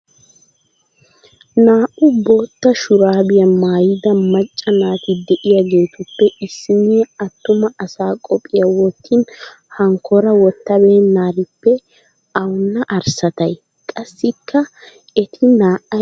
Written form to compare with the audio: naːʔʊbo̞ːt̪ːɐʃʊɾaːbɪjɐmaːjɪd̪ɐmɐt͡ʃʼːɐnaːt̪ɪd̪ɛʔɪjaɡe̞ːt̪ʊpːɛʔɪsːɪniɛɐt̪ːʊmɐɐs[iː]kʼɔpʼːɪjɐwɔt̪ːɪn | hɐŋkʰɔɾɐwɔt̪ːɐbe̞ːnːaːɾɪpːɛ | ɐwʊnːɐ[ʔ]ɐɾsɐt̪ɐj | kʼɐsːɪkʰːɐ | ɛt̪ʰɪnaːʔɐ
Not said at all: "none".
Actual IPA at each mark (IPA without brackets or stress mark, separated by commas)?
aː, ʔ